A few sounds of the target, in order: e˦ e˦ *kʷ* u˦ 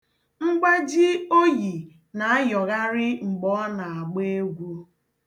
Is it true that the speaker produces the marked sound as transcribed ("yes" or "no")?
no